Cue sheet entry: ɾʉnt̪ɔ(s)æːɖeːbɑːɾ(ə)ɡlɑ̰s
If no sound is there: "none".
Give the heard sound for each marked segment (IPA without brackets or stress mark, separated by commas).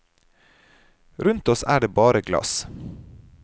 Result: s, ə